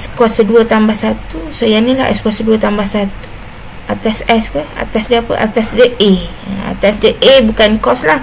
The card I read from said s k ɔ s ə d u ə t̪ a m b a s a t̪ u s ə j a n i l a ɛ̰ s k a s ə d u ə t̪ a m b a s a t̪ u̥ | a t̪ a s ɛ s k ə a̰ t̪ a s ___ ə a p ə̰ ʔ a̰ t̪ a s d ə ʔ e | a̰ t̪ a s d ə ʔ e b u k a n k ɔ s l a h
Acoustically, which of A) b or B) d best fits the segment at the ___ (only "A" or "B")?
B